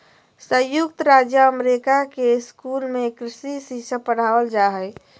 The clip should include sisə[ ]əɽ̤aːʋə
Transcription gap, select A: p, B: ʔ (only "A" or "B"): A